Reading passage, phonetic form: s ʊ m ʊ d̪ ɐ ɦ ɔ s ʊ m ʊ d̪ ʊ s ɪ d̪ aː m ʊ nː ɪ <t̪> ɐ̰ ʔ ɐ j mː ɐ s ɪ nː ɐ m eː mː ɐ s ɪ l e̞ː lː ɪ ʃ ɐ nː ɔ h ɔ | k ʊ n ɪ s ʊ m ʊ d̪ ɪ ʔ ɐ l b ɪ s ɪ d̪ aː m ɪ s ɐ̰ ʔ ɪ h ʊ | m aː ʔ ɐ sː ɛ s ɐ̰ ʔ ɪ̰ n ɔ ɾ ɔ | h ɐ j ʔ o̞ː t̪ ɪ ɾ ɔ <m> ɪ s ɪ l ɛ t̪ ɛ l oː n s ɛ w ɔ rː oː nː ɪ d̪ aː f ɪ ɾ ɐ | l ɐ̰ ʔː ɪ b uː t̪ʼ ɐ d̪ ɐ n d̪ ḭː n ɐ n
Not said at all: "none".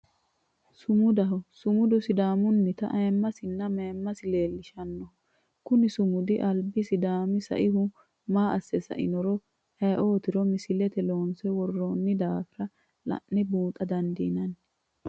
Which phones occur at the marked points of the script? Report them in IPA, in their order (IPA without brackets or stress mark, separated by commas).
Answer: t̪, m